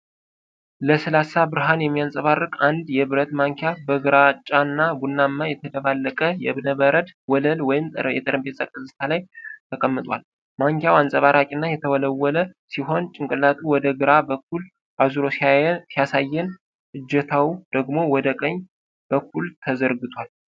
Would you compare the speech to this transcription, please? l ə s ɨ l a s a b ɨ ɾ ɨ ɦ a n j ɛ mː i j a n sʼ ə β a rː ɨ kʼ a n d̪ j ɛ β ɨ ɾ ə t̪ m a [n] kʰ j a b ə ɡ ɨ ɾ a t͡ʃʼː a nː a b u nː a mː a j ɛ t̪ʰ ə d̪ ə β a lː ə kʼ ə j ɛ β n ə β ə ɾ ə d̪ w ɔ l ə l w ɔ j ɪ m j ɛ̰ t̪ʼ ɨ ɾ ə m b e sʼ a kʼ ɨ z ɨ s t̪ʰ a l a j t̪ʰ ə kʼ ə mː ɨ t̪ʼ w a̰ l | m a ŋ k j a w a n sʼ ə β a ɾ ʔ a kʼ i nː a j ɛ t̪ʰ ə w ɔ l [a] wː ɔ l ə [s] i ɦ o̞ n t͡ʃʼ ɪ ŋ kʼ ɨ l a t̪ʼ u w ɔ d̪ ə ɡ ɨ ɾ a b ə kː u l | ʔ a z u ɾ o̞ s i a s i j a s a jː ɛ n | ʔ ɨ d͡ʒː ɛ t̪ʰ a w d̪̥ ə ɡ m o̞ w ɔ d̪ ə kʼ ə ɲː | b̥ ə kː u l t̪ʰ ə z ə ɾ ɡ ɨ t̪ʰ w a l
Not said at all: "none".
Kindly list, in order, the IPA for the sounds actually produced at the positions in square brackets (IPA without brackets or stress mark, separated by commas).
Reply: ŋ, ə, s